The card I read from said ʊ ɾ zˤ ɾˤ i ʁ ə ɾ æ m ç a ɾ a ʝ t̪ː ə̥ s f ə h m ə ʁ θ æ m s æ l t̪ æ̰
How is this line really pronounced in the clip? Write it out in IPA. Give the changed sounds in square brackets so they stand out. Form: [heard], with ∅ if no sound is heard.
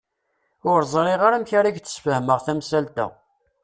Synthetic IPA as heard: ʊ ɾ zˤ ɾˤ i ʁ [a] ɾ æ m ç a ɾ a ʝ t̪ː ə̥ s f ə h m ə ʁ θ æ m s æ l t̪ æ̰